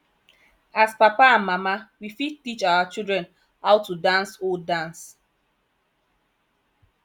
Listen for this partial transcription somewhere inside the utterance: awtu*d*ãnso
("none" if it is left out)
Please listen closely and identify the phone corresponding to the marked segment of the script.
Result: d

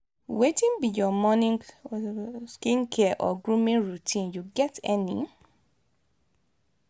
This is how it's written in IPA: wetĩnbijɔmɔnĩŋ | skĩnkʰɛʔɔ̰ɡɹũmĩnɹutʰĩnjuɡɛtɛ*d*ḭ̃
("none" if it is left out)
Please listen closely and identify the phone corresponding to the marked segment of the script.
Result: n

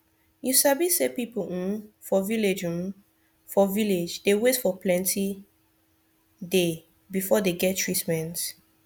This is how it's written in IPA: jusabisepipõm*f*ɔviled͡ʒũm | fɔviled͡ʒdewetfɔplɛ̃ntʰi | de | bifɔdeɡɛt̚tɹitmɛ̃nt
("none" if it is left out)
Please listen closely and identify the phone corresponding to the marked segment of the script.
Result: f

